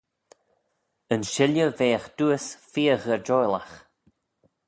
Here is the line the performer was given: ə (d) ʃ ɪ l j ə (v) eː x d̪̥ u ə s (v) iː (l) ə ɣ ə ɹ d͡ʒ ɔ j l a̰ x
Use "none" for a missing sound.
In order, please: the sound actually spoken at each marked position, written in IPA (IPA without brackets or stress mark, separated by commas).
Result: n, v, f, none